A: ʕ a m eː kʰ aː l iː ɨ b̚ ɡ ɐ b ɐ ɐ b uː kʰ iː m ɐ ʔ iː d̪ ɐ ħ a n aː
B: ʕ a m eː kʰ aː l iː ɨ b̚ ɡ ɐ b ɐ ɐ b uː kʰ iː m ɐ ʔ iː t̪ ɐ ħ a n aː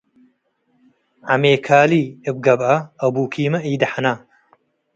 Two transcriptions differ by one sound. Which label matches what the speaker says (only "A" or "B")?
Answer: A